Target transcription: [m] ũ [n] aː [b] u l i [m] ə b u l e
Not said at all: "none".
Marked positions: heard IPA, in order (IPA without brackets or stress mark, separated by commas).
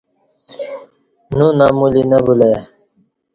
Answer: n, n, m, n